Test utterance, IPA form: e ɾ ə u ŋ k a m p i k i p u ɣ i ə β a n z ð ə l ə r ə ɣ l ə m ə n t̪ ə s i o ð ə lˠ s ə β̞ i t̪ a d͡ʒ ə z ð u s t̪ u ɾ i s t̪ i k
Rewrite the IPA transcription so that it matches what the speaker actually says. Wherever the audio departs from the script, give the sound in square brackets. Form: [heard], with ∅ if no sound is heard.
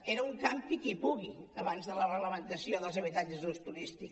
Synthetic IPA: e ɾ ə u ŋ k a m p i k i p u ɣ i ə β a n z ð ə l ə r ə ɣ l ə m ə n t̪ ə s i o ð ə lˠ [z] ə β̞ i t̪ a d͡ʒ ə z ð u s t̪ u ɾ i s t̪ i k